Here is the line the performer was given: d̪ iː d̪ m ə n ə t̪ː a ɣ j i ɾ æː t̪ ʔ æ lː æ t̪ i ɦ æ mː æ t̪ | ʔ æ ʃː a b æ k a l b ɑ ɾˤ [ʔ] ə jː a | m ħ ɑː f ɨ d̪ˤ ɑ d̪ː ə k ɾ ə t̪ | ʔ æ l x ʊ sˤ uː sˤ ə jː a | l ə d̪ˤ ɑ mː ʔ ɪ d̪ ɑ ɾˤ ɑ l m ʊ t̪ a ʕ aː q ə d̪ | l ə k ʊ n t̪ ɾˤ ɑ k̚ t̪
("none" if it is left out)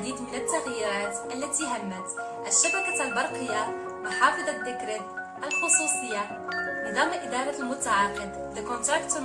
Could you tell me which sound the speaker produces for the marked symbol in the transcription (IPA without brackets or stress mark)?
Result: q